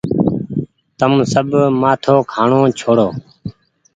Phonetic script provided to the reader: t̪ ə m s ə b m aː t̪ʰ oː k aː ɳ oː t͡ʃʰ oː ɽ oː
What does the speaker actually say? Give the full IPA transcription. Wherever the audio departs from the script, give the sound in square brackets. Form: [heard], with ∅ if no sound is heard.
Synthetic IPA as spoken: t̪ ə m s ə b m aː t̪ʰ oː [kʰ] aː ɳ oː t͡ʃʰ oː ɽ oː